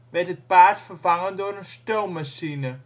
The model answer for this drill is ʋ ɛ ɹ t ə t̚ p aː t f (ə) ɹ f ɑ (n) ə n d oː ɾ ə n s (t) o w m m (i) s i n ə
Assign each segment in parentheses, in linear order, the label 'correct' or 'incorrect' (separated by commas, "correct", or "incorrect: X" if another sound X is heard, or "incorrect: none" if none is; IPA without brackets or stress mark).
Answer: correct, incorrect: ŋ, correct, incorrect: a